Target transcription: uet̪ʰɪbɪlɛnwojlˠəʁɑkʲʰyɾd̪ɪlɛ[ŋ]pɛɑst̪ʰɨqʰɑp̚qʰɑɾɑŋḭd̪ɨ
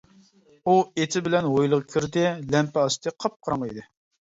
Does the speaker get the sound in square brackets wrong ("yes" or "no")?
yes